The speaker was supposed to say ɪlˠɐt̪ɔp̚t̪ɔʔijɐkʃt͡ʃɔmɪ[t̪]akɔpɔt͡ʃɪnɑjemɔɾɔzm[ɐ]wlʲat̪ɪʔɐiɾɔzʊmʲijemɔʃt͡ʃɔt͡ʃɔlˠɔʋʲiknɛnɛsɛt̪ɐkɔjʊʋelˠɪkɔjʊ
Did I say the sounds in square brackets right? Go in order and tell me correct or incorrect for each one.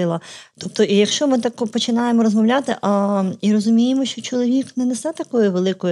correct, correct

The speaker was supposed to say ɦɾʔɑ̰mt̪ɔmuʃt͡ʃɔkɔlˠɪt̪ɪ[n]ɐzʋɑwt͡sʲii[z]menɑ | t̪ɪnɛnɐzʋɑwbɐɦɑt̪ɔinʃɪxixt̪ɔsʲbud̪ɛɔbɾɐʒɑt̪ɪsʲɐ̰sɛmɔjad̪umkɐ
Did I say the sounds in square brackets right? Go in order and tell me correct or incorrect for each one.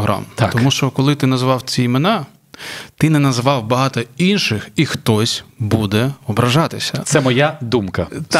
correct, incorrect

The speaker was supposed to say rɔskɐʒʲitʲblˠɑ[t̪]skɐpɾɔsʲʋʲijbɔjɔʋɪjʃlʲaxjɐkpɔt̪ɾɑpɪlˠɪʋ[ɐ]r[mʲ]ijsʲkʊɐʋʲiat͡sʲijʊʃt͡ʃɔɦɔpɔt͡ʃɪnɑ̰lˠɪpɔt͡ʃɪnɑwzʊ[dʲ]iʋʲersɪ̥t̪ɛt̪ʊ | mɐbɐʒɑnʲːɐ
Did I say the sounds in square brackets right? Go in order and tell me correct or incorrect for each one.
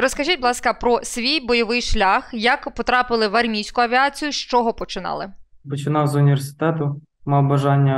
incorrect, correct, correct, incorrect

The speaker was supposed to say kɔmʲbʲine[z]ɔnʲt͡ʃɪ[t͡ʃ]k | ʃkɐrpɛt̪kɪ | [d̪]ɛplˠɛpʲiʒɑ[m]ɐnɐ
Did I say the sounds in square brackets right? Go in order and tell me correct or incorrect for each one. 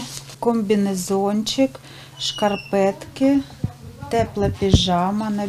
correct, incorrect, incorrect, correct

